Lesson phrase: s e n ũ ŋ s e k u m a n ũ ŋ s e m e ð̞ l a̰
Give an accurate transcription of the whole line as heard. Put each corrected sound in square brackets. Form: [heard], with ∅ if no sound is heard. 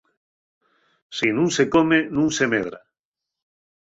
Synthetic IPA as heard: s [i] n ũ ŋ s e k [o] m [e] n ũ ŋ s e m e ð̞ [ɾ] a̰

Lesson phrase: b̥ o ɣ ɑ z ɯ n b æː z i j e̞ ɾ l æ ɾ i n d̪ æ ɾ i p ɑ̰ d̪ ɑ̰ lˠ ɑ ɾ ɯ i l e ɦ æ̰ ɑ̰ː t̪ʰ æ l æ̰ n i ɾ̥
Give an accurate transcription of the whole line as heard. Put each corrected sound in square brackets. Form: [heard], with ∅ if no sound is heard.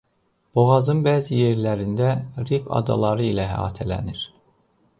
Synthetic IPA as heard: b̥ o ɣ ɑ z ɯ n b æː z i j e̞ ɾ l æ ɾ i n d̪ æ ɾ i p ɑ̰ d̪ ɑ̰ lˠ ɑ ɾ ɯ i l [æ] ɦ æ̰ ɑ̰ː t̪ʰ æ l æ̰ n i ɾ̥

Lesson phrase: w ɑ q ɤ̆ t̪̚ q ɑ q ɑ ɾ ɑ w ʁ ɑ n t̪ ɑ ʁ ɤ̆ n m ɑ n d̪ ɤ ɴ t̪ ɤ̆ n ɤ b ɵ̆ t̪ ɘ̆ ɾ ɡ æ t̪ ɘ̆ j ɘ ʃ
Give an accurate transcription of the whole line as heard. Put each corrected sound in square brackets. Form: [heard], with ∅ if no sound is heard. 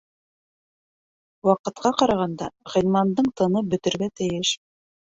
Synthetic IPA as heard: w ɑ q ɤ̆ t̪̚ q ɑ q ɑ ɾ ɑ [∅] ʁ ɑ n [d̪] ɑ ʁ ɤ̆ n m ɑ n d̪ ɤ ɴ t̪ ɤ̆ n ɤ b ɵ̆ t̪ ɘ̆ ɾ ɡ æ t̪ ɘ̆ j ɘ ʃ

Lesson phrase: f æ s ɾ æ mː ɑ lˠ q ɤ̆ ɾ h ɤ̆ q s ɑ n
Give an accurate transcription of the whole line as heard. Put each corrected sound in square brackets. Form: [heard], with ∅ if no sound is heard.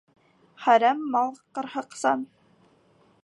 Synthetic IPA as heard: [χ] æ [∅] ɾ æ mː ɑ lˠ q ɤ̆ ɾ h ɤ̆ q s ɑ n

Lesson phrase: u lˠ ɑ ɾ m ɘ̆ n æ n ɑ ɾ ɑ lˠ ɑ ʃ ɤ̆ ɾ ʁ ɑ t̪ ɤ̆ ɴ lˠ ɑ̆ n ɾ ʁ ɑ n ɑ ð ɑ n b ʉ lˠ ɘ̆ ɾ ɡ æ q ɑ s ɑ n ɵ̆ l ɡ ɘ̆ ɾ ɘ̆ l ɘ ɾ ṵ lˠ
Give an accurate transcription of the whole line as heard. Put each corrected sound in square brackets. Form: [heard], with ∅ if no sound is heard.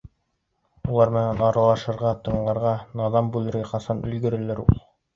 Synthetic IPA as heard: u lˠ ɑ ɾ m ɘ̆ n æ n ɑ ɾ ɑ lˠ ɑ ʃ ɤ̆ ɾ ʁ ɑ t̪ ɤ̆ ɴ lˠ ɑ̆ [∅] ɾ ʁ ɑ n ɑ ð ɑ [m] b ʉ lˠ ɘ̆ ɾ ɡ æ q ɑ s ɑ n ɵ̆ l ɡ ɘ̆ ɾ ɘ̆ l ɘ ɾ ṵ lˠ

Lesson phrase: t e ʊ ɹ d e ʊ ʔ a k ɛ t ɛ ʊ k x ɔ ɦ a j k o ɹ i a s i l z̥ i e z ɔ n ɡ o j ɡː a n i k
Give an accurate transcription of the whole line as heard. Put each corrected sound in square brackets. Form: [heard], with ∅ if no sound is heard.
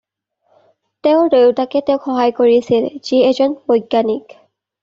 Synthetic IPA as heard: t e ʊ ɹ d e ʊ [t] a k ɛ t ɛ ʊ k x ɔ ɦ a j k o ɹ i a s i l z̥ i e z ɔ n [b] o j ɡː a n i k

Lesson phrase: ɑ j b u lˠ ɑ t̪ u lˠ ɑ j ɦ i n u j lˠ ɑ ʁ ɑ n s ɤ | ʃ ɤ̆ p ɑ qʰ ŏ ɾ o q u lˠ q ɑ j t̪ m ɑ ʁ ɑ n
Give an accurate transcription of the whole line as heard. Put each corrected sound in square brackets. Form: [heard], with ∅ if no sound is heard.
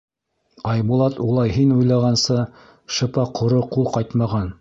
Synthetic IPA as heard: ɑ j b u lˠ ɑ t̪ u lˠ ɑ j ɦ i n u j lˠ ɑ ʁ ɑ n s ɤ | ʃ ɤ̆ p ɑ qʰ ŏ ɾ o q u lˠ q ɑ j t̪ m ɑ ʁ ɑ n

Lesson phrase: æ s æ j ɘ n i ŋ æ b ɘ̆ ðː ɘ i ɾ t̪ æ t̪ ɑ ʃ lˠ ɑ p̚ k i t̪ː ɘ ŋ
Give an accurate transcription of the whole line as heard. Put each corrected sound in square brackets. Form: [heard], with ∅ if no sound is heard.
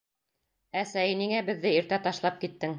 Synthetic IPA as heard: æ s æ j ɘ n i ŋ æ b ɘ̆ ðː ɘ i ɾ t̪ æ t̪ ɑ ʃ lˠ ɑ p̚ k i t̪ː ɘ ŋ

